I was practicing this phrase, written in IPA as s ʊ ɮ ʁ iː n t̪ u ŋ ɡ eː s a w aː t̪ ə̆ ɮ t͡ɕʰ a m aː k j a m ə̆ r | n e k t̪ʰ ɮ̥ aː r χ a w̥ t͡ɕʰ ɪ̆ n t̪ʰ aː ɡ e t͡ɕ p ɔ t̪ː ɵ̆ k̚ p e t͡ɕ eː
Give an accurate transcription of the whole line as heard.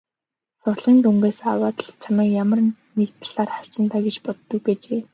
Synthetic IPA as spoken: s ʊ ɮ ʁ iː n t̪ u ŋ ɡ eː s a w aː t̪ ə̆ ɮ t͡ɕʰ a m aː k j a m ə̆ r | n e k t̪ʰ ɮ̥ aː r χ a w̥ t͡ɕ ɪ̆ n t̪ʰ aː ɡ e t͡ɕ p ɔ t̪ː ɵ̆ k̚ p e t͡ɕ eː